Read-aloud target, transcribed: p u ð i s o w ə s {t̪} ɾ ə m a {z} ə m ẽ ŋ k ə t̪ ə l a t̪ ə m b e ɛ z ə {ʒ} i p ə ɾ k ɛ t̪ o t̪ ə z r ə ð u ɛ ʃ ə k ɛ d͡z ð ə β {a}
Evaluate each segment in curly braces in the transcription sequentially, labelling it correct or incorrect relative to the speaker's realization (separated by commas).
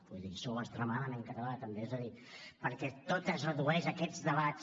correct, incorrect, incorrect, correct